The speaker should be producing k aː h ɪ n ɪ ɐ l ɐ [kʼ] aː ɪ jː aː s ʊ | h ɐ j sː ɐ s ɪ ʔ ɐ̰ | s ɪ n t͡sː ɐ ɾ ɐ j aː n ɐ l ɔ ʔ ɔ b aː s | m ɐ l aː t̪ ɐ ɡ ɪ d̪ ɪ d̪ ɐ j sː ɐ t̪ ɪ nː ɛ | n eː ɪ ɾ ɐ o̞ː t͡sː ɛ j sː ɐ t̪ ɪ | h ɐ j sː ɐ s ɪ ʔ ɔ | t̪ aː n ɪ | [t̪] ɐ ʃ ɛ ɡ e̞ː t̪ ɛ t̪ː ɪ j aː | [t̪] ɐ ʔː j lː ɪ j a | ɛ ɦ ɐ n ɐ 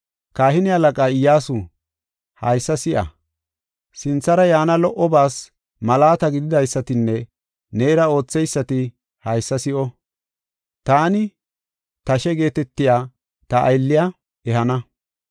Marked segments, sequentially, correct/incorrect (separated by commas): correct, correct, correct